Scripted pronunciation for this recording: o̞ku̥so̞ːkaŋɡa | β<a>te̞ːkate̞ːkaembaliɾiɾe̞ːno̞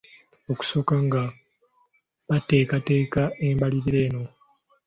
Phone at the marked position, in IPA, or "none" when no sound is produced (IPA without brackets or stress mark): a